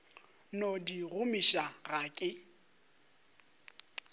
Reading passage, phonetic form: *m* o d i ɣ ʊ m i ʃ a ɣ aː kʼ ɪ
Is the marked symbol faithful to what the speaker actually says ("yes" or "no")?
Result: no